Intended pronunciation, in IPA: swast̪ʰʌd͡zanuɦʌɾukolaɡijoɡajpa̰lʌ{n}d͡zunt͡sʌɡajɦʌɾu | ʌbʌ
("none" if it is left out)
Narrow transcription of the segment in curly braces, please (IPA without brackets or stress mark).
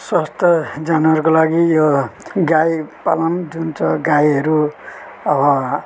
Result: n